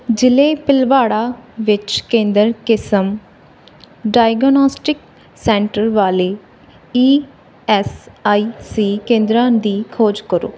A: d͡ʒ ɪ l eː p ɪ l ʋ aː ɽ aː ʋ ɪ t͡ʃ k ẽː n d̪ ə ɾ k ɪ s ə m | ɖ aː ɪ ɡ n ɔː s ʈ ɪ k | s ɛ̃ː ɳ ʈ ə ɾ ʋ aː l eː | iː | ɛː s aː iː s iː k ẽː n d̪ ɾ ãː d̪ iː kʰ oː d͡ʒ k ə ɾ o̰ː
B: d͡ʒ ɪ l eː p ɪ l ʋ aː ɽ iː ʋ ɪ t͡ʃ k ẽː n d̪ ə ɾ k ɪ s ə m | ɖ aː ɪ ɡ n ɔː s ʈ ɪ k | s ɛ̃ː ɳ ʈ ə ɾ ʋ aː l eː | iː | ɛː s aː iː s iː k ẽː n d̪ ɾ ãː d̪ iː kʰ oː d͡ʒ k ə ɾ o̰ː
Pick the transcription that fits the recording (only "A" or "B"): A